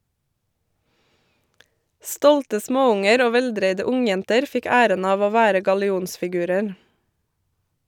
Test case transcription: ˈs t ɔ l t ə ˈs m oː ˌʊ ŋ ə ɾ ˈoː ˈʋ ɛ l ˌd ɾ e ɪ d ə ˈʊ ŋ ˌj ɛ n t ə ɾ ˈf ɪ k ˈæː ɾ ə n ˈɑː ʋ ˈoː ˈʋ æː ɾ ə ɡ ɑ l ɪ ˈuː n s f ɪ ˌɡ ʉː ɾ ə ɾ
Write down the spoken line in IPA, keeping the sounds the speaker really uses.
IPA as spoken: ˈs t ɔ l t ə ˈs m oː ˌʊ ŋ ə ɾ ˈoː ˈʋ ɛ l ˌd ɾ e ɪ d ə ˈʊ ŋ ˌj ɛ n t ə ɾ ˈf ɪ k ˈæː ɾ ə n ˈɑː ʋ ˈoː ˈʋ æː ɾ ə ɡ ɑ l ɪ ˈuː n s f ɪ ˌɡ ʉː ɾ ə ɾ

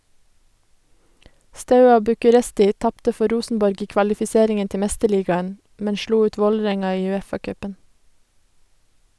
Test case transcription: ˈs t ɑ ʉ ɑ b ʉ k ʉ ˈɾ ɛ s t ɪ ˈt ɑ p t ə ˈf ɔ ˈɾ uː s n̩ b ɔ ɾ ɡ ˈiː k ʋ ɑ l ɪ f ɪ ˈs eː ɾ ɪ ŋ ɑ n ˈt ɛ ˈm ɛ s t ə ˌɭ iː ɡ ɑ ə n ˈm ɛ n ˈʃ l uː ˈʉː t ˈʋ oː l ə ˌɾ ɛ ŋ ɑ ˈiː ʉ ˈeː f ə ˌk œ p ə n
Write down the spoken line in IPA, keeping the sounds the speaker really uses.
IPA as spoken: ˈs t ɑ ʉ ɑ b ʉ k ʉ ˈɾ ɛ s t ɪ ˈt ɑ p t ə ˈf ɔ ˈɾ uː s n̩ b ɔ ɾ ɡ ˈiː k ʋ ɑ l ɪ f ɪ ˈs eː ɾ ɪ ŋ ə n ˈt ɛ ˈm ɛ s t ə ˌɭ iː ɡ ɑ ə n ˈm ɛ n ˈʃ l uː ˈʉː t ˈʋ oː l ə ˌɾ ɛ ŋ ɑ ˈiː ʉ ˈeː f ɑ ˌk œ p ə n

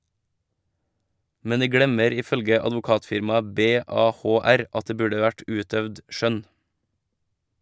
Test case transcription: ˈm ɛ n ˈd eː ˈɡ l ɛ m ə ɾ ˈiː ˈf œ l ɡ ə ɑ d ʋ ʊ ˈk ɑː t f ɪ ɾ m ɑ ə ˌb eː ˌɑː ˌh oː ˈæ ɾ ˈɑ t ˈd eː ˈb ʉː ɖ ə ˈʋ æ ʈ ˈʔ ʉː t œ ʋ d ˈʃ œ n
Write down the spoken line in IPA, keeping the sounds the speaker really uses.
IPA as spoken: ˈm ɛ n ˈd iː ˈɡ ɽ ɛ m ə ɾ ˈiː ˈf œ l ɡ ə ɑ d ʋ ʊ ˈk ɑː t f ɪ ɾ m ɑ ə ˌb eː ˌɑː ˌh oː ˈæ ɾ ˈɑ t ˈd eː ˈb ʉː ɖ ə ˈʋ æ ʈ ˈʔ ʉː t œ ʋ d ˈʃ œ n

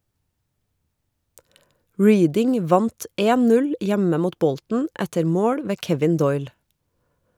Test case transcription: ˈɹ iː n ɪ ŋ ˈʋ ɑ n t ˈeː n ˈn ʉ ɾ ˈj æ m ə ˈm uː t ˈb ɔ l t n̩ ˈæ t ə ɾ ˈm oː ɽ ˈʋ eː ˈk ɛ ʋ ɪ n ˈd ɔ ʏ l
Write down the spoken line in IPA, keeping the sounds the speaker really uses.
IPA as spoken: ˈɹ iː d ɪ ŋ ˈʋ ɑ n t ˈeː n ˈn ʉ l ˈj æ m ə ˈm uː t ˈb ɔ l t n̩ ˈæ t ə ɾ ˈm oː ɽ ˈʋ eː ˈk ɛ ʋ ɪ n ˈd ɔ ʏ l

